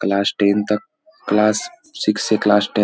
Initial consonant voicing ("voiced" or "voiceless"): voiceless